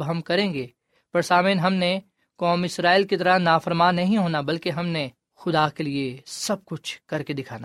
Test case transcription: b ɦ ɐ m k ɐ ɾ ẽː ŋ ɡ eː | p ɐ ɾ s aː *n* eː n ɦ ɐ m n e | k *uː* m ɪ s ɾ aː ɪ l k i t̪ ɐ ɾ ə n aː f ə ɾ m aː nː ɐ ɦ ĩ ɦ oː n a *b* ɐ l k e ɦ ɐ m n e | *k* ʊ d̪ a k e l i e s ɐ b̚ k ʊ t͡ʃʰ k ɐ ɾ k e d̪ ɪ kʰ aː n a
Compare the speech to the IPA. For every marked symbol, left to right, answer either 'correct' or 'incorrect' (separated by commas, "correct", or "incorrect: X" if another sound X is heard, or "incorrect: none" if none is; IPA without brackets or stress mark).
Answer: incorrect: m, incorrect: ɔː, correct, incorrect: x